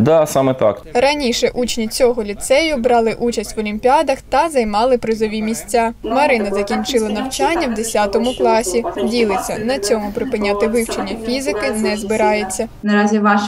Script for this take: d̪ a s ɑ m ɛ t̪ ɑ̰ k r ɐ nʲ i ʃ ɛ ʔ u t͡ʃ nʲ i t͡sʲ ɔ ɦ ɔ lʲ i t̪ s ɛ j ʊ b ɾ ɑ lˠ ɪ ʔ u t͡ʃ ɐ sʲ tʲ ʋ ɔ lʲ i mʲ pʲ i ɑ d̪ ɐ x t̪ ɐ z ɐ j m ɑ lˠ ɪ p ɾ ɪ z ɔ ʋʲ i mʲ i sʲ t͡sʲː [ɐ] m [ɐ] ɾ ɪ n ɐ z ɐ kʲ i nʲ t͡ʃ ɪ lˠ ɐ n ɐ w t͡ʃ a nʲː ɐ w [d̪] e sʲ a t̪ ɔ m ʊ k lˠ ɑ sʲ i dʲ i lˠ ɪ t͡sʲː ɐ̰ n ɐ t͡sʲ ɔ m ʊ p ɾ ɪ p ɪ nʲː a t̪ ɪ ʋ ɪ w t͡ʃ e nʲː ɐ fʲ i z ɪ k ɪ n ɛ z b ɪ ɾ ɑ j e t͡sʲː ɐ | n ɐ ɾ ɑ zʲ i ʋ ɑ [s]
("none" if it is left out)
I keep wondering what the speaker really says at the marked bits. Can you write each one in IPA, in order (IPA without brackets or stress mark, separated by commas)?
a, ɐ, d̪, ʃ